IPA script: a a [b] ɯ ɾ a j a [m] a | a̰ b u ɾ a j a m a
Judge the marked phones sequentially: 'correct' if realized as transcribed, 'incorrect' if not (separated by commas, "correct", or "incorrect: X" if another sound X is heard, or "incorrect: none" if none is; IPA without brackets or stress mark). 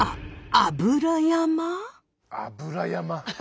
correct, correct